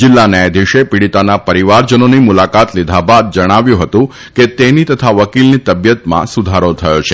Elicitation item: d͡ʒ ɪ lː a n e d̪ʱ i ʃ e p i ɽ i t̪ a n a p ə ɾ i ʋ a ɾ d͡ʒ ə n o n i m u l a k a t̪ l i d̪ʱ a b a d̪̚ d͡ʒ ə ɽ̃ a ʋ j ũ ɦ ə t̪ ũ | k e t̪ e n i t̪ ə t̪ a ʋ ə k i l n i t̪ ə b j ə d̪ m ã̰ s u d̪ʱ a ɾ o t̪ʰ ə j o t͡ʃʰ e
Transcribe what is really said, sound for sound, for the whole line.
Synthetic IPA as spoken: d͡ʒ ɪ lː a n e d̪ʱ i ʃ e p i ɽ i t̪ a n a p ə ɾ i ʋ a ɾ d͡ʒ ə n o n i m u l a k a t̪ l i d̪ʱ a b a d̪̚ d͡ʒ ə ɽ̃ a ʋ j ũ ɦ ə t̪ ũ | k e t̪ e n i t̪ ə t̪ʰ a ʋ ə k i l n i t̪ ə b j ə t̪ m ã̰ s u d̪ʱ a ɾ o t̪ʰ ə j o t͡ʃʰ e